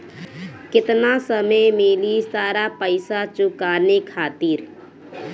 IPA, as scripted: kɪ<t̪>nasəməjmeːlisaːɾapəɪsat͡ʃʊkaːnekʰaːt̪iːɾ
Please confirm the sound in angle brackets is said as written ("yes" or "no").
yes